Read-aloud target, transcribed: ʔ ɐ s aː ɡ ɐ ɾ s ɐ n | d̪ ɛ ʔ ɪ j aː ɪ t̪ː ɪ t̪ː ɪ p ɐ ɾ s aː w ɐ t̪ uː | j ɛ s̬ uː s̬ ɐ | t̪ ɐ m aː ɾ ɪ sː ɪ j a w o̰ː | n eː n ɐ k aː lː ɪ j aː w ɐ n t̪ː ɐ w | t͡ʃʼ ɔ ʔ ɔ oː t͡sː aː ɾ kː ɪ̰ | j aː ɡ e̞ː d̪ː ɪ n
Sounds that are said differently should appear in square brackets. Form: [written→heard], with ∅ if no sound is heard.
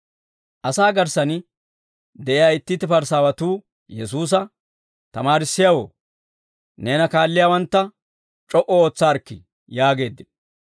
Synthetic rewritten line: ʔ ɐ s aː ɡ ɐ ɾ s ɐ n | d̪ ɛ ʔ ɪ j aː ɪ t̪ː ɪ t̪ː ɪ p ɐ ɾ s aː w ɐ t̪ uː | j ɛ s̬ uː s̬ ɐ | t̪ ɐ m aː ɾ ɪ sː ɪ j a w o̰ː | n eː n ɐ k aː lː ɪ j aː w ɐ n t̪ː ɐ [w→∅] | t͡ʃʼ ɔ ʔ ɔ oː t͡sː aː ɾ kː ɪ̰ | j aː ɡ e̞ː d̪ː ɪ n

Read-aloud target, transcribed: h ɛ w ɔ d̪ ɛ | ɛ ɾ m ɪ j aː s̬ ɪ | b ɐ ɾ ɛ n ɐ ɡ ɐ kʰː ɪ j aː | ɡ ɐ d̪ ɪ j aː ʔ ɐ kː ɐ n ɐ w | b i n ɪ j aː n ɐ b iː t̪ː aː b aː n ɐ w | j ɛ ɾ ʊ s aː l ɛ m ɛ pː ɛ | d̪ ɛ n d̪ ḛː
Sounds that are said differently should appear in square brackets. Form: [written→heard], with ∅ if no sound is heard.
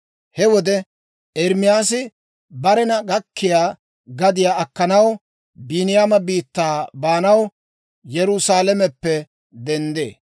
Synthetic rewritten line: h ɛ w ɔ d̪ ɛ | ɛ ɾ m ɪ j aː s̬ ɪ | b ɐ ɾ ɛ n ɐ ɡ ɐ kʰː ɪ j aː | ɡ ɐ d̪ ɪ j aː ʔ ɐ kː ɐ n ɐ w | b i n ɪ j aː [n→m] ɐ b iː t̪ː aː b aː n ɐ w | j ɛ ɾ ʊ s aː l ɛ m ɛ pː ɛ | d̪ ɛ n d̪ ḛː

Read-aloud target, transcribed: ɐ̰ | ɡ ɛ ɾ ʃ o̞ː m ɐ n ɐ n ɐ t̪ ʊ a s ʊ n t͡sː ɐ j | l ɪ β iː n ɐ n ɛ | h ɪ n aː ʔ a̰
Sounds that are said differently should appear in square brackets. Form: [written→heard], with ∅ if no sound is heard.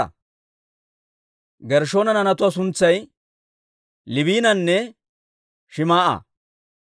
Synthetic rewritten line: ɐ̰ | ɡ ɛ ɾ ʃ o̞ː [m→n] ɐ n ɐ n ɐ t̪ ʊ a s ʊ n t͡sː ɐ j | l ɪ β iː n ɐ [n→nː] ɛ | [h→ʃ] ɪ [n→m] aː ʔ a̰

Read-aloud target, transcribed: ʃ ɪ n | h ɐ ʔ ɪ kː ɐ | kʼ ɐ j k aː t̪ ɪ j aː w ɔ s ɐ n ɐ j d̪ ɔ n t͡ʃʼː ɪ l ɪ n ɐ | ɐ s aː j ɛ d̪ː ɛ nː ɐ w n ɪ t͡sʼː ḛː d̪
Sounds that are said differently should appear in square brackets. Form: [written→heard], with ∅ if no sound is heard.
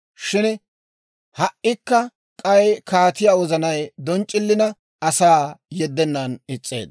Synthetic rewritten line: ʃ ɪ n | h ɐ ʔ ɪ kː ɐ | kʼ ɐ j k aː t̪ ɪ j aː w ɔ [s→z] ɐ n ɐ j d̪ ɔ n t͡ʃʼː ɪ [l→lː] ɪ n ɐ | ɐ s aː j ɛ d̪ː ɛ nː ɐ [w→∅] n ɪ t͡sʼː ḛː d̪

